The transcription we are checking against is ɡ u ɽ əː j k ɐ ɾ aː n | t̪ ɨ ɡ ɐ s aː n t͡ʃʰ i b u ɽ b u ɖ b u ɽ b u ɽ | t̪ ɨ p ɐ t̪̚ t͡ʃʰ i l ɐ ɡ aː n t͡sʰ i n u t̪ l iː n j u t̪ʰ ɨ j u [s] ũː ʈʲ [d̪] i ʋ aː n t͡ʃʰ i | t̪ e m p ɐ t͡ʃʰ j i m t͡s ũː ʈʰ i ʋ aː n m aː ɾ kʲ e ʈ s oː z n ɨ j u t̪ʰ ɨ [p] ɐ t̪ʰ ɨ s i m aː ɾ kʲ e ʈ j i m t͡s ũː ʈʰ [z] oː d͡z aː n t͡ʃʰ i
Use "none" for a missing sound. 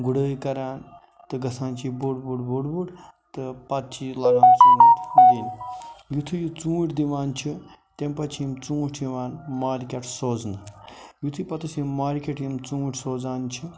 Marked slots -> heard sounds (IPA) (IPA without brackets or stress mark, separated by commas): t͡s, d̪, p, s